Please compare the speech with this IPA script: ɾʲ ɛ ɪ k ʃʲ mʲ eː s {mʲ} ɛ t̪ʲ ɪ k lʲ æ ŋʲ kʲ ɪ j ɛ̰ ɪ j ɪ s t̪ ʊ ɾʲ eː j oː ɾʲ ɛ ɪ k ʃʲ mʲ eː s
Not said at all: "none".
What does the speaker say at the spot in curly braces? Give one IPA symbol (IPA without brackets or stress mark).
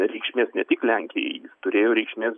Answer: nʲ